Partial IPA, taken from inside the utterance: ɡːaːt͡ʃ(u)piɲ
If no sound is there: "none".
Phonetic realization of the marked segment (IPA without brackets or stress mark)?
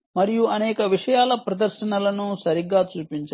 uː